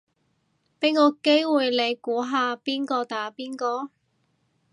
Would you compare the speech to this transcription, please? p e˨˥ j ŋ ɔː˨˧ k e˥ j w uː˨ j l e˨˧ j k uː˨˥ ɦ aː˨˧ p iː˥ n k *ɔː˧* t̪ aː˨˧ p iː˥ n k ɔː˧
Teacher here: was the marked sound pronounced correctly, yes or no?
yes